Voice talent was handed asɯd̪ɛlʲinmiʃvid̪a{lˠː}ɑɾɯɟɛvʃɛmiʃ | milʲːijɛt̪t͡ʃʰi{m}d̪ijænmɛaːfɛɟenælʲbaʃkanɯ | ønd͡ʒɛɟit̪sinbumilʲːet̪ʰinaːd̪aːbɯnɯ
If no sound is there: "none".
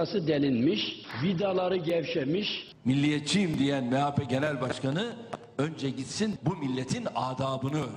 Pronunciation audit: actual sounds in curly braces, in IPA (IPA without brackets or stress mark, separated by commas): lˠ, m